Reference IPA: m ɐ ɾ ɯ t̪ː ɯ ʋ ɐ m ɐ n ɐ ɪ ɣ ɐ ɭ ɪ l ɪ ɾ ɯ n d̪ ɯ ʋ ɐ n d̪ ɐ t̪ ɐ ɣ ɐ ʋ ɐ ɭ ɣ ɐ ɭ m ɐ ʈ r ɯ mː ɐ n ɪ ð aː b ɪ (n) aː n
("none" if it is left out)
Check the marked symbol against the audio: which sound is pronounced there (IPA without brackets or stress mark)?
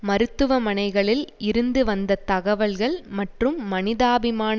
m